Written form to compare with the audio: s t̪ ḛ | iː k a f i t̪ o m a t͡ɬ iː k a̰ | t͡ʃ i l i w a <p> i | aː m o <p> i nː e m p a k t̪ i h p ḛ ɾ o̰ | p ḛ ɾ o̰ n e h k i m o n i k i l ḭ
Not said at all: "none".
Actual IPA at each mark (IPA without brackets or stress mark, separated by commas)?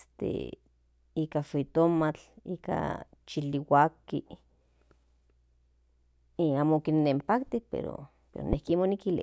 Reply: k, k